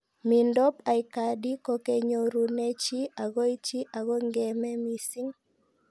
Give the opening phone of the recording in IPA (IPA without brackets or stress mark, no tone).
m